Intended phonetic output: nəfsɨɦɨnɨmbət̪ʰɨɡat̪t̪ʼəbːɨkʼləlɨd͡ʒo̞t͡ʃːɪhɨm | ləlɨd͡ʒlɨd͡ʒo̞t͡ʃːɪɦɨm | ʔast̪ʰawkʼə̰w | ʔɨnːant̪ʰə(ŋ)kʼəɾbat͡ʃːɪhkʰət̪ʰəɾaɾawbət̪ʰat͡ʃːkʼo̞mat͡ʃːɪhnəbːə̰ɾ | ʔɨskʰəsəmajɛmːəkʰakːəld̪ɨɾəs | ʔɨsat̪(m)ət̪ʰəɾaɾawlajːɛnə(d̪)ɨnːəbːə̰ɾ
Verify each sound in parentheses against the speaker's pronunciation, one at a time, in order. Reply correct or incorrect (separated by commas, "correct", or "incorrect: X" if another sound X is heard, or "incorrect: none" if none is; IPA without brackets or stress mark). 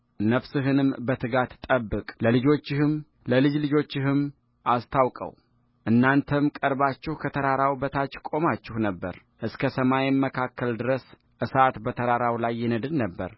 incorrect: m, incorrect: b, correct